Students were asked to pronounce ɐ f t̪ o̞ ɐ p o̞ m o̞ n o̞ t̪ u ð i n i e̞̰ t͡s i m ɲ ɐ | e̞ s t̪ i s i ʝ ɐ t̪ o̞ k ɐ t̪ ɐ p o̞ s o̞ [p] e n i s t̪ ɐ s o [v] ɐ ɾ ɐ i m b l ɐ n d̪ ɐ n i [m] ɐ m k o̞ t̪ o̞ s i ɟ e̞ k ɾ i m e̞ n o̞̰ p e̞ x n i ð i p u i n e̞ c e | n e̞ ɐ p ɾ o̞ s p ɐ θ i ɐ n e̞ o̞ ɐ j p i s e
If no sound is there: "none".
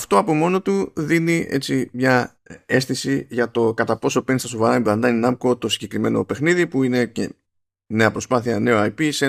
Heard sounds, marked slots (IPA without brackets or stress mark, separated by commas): p, v, n